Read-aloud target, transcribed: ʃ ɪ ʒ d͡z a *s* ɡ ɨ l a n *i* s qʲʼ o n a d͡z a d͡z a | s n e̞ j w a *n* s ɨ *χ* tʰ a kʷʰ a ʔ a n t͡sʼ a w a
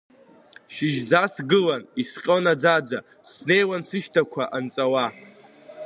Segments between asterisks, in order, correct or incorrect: correct, correct, correct, incorrect: ʃ

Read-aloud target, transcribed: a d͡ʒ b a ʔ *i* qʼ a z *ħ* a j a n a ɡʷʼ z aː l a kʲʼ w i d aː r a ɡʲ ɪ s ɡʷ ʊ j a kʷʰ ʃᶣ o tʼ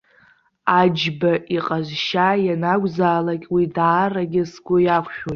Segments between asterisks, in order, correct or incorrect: correct, incorrect: ʃ

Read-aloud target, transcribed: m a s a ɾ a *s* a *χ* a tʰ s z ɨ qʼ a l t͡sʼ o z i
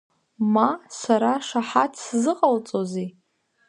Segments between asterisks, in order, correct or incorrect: incorrect: ʂ, incorrect: ħ

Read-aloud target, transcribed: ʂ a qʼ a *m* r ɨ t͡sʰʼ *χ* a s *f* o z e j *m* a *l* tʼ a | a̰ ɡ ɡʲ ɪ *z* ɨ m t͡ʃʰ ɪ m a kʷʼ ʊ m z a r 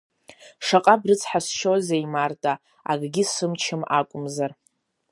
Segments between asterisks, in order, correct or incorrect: incorrect: b, incorrect: ħ, incorrect: ʃ, correct, incorrect: r, incorrect: s

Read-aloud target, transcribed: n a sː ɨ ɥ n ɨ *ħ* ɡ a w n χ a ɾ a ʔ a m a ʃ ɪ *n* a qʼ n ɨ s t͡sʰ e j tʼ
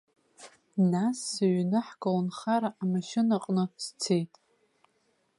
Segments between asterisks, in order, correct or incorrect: correct, correct

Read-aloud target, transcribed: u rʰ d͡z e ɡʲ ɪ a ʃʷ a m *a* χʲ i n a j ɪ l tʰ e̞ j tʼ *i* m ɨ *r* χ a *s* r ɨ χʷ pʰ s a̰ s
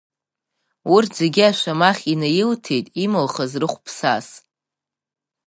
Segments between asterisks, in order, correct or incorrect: correct, correct, incorrect: l, incorrect: z

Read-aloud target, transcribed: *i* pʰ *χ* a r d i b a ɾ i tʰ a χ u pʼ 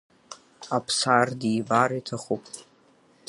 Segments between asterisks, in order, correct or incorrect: incorrect: a, incorrect: s

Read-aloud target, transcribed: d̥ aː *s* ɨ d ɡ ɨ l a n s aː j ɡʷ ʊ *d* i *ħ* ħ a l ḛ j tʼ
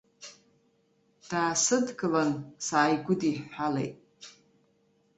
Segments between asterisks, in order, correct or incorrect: correct, correct, correct

